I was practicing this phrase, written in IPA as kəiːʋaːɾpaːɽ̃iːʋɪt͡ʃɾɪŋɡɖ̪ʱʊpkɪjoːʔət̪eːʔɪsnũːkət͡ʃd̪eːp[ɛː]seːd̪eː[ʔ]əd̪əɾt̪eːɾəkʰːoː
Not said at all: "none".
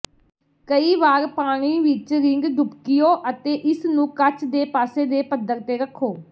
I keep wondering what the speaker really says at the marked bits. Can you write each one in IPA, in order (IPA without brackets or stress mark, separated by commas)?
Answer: aː, p